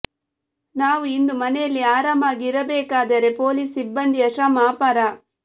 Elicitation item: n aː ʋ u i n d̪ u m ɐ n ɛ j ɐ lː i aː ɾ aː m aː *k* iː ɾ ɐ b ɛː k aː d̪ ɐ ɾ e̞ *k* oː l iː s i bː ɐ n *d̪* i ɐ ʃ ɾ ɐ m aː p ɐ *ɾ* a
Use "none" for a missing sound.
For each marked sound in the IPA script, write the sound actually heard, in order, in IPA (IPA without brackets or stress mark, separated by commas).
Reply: ɡ, p, d̪, ɾ